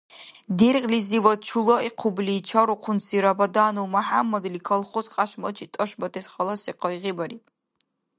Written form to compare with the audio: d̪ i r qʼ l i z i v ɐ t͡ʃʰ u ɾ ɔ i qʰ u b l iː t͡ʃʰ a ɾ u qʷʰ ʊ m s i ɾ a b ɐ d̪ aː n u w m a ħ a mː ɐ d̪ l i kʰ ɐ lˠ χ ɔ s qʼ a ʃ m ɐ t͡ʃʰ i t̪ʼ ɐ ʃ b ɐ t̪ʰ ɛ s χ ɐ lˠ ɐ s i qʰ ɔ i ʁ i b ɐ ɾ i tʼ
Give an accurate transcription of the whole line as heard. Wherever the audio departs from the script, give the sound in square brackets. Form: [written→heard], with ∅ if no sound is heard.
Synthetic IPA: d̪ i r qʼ l i z i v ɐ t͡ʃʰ u [ɾ→l] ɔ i qʰ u b l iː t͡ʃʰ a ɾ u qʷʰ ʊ [m→n] s i ɾ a b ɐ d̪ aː n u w m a ħ a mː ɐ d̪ l i kʰ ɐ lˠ χ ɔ s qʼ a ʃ m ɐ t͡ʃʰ i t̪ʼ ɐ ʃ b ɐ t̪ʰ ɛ s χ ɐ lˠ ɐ s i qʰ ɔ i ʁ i b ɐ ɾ i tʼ